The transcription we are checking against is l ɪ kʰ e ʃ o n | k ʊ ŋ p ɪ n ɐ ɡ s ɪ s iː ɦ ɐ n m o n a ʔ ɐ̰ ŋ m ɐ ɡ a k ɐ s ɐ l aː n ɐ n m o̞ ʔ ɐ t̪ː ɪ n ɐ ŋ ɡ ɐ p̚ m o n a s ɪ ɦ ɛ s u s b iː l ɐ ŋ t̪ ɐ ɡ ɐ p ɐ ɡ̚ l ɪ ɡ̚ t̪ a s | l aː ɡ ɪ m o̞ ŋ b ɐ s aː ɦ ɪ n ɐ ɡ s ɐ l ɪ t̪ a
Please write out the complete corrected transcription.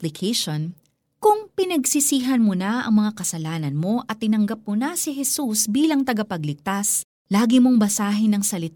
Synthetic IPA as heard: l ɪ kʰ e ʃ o n | k ʊ ŋ p ɪ n ɐ ɡ s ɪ s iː ɦ ɐ n m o n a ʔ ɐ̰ ŋ m ɐ ŋ a k ɐ s ɐ l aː n ɐ n m o̞ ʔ ɐ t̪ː ɪ n ɐ ŋ ɡ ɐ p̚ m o n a s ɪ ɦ ɛ s u s b iː l ɐ ŋ t̪ ɐ ɡ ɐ p ɐ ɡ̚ l ɪ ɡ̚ t̪ a s | l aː ɡ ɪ m o̞ ŋ b ɐ s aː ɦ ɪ n ɐ ŋ s ɐ l ɪ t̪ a